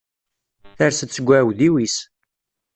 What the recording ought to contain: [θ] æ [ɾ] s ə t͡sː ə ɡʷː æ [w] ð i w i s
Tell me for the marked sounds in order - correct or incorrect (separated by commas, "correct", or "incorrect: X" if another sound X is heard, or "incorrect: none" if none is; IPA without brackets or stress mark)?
correct, correct, correct